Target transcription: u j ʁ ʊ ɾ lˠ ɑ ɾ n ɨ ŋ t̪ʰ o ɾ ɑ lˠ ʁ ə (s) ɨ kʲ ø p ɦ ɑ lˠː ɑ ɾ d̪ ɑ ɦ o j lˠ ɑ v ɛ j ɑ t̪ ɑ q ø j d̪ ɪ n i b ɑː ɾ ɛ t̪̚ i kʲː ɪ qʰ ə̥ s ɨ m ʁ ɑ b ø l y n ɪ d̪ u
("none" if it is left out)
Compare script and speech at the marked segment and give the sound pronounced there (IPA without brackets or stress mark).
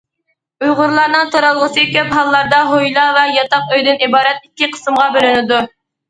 s